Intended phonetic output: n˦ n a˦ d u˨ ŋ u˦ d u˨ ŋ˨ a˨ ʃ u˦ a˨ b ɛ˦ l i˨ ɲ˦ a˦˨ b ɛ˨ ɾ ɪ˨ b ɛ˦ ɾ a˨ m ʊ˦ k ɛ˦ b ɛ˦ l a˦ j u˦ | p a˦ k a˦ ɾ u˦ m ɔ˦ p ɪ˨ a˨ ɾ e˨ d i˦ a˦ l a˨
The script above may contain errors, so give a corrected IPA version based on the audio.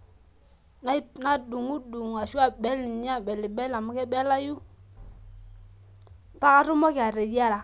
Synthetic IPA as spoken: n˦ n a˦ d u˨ ŋ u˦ d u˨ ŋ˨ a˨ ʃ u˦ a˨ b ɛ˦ l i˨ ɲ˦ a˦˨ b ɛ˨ l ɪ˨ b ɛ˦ l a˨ m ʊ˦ k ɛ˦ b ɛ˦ l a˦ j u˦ | p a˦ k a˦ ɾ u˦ m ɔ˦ k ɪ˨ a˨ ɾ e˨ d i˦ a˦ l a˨